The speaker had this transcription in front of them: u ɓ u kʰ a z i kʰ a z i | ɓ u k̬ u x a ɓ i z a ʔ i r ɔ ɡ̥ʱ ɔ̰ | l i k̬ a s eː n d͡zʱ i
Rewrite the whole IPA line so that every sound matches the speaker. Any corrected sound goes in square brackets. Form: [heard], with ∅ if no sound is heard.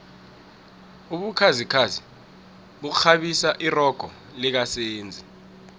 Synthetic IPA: u ɓ u kʰ a z i kʰ a z i | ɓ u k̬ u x a ɓ i [s] a ʔ i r ɔ ɡ̥ʱ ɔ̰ | l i k̬ a s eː n d͡zʱ i